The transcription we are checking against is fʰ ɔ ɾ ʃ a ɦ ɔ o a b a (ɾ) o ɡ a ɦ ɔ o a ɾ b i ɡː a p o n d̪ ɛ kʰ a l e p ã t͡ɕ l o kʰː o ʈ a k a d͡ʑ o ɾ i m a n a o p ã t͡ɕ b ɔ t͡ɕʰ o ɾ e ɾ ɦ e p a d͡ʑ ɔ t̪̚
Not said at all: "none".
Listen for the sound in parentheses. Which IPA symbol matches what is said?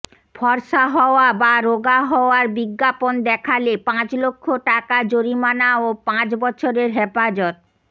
ɾ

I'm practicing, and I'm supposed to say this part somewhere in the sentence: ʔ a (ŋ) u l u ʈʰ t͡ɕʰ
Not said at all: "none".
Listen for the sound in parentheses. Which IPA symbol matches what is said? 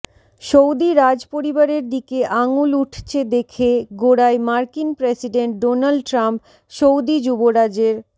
ŋ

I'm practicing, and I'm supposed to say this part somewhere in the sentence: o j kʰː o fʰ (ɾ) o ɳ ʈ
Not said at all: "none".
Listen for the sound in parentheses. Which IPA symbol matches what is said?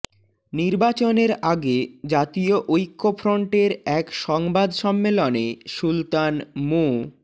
ɾ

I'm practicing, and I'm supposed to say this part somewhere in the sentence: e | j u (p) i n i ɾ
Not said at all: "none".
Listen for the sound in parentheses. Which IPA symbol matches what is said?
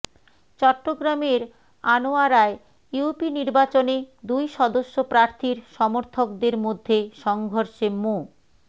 p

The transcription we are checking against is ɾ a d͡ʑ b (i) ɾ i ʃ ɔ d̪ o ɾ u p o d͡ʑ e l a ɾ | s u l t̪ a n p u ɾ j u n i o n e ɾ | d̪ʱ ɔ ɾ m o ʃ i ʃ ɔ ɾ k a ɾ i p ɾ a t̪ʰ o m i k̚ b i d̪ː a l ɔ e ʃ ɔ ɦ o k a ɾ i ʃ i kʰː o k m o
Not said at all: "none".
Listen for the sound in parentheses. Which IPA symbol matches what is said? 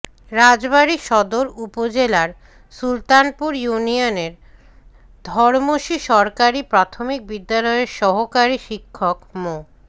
a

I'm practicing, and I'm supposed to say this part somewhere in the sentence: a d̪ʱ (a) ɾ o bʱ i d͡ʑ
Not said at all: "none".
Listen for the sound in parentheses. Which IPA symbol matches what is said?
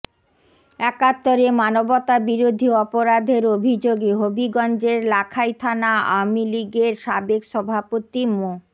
e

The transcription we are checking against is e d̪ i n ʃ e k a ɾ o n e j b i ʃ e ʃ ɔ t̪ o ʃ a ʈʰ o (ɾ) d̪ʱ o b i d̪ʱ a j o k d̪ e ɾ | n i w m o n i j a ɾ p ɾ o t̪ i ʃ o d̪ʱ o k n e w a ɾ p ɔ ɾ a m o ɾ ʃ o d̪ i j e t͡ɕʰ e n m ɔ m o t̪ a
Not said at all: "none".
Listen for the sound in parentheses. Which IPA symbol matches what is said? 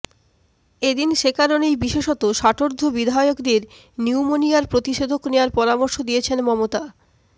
ɾ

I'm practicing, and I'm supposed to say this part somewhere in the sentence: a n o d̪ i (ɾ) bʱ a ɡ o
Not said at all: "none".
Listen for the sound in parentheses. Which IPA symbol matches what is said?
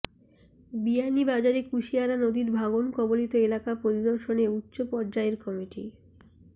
ɾ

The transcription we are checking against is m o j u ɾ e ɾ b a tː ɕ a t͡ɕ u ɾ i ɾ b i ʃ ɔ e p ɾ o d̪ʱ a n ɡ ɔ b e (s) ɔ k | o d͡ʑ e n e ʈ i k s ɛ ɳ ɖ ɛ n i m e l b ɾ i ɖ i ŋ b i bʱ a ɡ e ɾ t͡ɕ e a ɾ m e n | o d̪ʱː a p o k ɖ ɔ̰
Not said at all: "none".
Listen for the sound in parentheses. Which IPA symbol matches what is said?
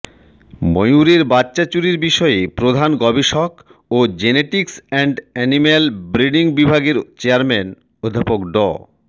ʃ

